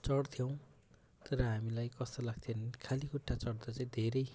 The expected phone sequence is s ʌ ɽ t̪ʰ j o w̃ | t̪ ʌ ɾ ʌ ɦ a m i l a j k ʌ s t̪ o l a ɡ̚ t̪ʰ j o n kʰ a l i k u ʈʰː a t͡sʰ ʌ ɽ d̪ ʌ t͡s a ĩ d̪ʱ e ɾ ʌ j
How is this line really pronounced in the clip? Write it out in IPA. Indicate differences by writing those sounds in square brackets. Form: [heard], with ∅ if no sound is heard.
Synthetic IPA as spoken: [t͡s] ʌ ɽ t̪ʰ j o w̃ | t̪ ʌ ɾ ʌ ɦ a m i l a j k ʌ s t̪ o l a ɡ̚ t̪ʰ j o n kʰ a l i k u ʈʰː a [t͡s] ʌ ɽ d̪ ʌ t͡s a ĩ d̪ʱ e ɾ ʌ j